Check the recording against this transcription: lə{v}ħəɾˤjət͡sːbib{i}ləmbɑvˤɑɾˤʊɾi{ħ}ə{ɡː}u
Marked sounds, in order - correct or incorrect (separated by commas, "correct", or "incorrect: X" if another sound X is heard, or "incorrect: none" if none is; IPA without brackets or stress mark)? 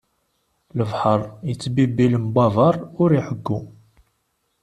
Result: correct, correct, correct, correct